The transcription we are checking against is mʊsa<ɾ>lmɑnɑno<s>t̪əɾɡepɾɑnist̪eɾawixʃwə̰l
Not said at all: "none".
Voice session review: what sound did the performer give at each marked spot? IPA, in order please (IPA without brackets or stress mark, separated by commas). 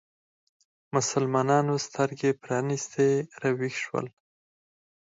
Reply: none, s